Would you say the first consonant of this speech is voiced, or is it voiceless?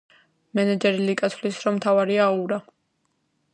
voiced